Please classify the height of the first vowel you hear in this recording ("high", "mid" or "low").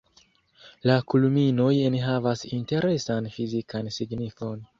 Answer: low